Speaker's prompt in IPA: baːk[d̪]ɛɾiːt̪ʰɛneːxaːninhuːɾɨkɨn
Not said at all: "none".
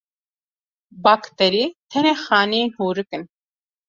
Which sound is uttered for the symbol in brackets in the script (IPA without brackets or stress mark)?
t̪